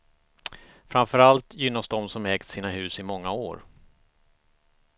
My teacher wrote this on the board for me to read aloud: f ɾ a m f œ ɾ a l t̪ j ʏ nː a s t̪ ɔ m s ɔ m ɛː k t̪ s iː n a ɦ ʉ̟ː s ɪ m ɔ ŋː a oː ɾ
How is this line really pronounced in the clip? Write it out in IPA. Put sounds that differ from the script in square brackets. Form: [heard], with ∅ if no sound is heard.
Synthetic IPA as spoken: f ɾ a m f œ ɾ a l t̪ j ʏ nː a s [d̪] ɔ m s ɔ m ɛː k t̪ s iː n a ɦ ʉ̟ː s ɪ m ɔ ŋː a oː ɾ